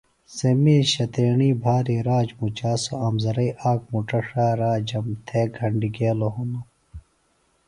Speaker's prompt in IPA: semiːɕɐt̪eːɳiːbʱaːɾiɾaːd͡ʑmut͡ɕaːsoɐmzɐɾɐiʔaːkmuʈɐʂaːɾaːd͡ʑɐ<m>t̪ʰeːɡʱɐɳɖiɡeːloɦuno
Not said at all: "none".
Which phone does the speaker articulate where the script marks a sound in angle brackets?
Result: m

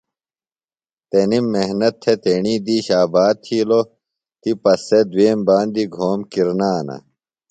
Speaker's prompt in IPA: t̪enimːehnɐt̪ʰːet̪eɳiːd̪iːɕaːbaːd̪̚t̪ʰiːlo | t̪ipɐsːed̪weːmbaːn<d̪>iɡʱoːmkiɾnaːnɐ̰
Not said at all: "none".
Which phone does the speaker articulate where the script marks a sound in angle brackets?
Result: d̪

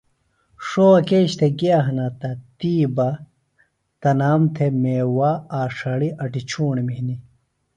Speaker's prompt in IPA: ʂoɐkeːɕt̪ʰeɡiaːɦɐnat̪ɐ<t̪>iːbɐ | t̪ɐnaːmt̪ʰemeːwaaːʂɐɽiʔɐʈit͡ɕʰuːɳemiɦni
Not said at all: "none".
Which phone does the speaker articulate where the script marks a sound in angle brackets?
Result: t̪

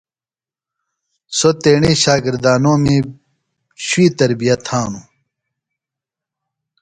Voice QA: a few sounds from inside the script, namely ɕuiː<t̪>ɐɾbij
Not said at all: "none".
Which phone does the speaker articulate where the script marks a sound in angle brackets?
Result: t̪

